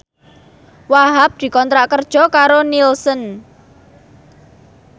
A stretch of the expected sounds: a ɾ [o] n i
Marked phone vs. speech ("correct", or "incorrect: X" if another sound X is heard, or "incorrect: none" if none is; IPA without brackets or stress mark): correct